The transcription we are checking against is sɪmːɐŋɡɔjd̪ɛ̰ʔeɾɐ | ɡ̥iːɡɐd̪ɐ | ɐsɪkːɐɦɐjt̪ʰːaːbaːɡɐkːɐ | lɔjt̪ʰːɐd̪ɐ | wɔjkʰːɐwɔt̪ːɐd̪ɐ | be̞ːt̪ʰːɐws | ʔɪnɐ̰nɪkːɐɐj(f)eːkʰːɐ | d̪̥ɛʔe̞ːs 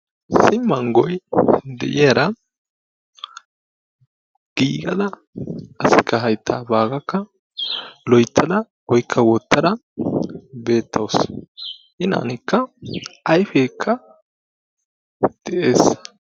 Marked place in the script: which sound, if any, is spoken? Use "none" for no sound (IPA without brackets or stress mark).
f